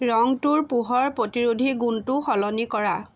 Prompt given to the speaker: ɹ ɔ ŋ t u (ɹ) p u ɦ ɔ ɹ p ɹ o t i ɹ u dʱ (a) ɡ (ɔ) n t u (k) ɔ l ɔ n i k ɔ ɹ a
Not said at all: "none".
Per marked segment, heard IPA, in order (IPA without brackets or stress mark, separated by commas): ɹ, i, u, x